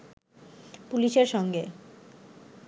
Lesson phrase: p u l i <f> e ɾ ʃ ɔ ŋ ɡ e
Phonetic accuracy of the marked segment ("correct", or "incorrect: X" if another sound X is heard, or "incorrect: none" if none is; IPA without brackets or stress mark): incorrect: ʃ